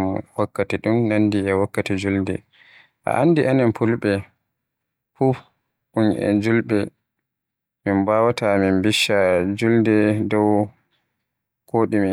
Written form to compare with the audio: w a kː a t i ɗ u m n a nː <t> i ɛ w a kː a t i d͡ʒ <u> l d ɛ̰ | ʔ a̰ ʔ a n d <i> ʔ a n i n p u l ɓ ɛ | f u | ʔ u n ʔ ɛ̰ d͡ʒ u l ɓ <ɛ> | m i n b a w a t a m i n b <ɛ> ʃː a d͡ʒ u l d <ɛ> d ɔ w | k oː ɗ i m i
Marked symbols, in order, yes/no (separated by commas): no, yes, yes, yes, no, yes